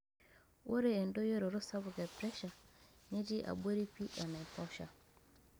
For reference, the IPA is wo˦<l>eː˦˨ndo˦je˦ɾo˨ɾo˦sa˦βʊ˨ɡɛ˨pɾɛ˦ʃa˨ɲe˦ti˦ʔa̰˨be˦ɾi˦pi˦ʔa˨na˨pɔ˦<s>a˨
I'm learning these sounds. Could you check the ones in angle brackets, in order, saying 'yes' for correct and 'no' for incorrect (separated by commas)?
no, no